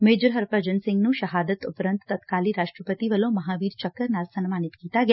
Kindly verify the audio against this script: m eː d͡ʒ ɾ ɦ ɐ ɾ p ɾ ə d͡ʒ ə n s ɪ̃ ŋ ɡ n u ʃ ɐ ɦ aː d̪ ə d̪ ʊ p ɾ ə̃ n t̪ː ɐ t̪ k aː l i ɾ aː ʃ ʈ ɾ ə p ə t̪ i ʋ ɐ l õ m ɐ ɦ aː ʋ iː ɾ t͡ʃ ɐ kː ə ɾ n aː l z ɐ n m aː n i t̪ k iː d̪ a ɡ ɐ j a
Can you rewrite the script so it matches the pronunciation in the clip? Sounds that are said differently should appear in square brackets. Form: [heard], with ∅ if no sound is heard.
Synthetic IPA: m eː d͡ʒ ɾ ɦ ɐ ɾ p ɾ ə d͡ʒ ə n s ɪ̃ ŋ ɡ n u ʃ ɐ ɦ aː d̪ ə [t̪] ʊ p ɾ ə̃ n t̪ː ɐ t̪ k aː l i ɾ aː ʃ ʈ ɾ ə p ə t̪ i ʋ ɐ l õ m ɐ ɦ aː ʋ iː ɾ t͡ʃ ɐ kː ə ɾ n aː l [s] ɐ n m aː n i t̪ k iː [t̪] a ɡ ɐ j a